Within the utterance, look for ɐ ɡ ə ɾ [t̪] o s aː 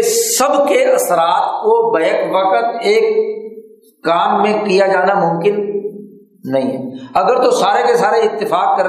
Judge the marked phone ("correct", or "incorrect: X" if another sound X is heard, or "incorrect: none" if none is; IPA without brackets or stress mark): correct